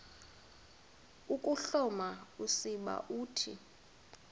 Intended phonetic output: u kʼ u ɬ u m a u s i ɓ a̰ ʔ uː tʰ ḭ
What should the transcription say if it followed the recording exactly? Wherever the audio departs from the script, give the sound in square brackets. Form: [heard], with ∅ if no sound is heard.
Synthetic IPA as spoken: u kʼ u ɬ [ɔ] m a u s i ɓ a̰ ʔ uː tʰ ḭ